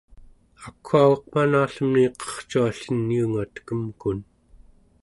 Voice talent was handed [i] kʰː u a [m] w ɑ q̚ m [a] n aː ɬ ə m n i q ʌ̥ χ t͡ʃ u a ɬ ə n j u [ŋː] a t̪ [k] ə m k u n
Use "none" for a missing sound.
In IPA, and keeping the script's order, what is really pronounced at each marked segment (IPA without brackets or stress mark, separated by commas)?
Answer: a, none, a, ŋ, k